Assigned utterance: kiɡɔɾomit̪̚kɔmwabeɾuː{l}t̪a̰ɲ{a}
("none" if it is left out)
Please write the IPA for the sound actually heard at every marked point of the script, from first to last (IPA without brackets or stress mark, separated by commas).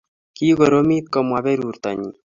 ɾ, i